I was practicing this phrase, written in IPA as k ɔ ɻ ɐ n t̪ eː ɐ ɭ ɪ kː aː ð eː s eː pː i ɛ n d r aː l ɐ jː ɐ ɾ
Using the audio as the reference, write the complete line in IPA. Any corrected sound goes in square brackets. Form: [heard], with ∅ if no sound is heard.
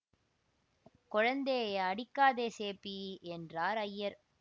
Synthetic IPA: k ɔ ɻ ɐ n [d̪] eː ɐ [ɽ] ɪ kː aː ð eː s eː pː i ɛ n d r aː [ɾ] ɐ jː ɐ ɾ